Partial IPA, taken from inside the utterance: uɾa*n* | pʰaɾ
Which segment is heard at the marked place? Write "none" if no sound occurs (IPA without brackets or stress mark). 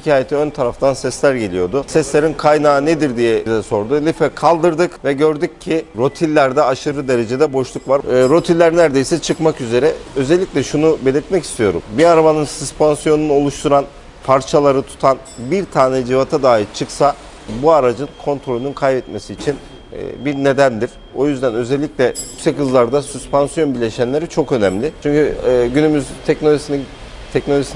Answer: n